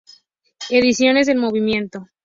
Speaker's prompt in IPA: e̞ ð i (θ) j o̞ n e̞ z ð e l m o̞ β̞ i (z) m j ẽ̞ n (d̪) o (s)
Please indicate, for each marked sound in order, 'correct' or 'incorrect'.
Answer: incorrect, incorrect, incorrect, incorrect

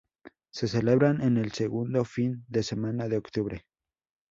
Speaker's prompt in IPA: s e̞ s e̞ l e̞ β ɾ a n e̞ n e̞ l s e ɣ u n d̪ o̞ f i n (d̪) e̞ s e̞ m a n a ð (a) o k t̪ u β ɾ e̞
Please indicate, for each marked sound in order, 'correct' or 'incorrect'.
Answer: correct, incorrect

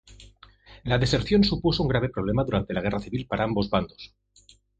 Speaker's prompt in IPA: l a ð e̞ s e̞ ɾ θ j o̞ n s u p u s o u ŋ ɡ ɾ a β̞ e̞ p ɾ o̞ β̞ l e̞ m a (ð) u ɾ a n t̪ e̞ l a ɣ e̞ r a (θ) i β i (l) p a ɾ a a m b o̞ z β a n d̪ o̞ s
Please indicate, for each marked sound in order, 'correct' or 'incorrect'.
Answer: correct, correct, correct

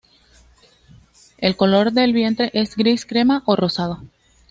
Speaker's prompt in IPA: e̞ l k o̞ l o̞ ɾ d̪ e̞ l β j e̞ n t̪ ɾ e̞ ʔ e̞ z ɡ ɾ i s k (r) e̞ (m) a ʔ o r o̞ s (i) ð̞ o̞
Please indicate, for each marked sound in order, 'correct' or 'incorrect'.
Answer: incorrect, correct, incorrect

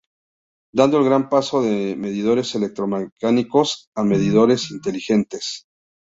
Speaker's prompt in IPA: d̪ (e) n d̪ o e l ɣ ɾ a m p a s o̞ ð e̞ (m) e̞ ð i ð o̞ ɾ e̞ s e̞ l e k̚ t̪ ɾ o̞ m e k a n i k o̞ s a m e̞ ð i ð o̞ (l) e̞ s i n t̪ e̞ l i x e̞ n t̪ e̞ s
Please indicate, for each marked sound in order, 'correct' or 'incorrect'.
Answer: incorrect, correct, incorrect

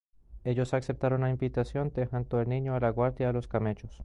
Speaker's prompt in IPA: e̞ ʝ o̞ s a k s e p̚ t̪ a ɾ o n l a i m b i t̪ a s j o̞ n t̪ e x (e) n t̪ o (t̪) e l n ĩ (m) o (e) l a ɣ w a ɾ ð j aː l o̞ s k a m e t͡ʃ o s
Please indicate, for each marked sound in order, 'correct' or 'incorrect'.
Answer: incorrect, incorrect, incorrect, incorrect

